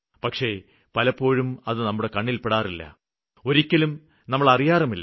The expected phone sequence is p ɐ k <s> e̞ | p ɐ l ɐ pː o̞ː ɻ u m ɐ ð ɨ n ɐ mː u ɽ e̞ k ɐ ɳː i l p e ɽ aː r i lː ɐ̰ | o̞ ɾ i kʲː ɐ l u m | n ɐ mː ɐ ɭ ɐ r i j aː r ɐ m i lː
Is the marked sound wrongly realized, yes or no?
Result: yes